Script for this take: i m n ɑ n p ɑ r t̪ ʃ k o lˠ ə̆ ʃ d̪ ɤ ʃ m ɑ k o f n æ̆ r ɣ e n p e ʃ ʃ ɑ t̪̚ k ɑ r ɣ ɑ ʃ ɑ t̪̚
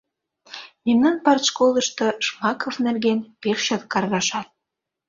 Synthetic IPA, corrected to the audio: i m n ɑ n p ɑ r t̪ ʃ k o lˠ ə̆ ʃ t̪ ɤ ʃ m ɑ k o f n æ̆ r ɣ e n p e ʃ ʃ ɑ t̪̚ k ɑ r ɣ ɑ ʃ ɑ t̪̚